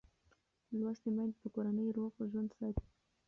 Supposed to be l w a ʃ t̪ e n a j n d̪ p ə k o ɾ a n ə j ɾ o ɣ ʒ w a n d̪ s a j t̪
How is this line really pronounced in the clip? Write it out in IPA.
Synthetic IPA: l w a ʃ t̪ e m a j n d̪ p ə k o ɾ a n ə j ɾ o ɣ ʒ w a n d̪ s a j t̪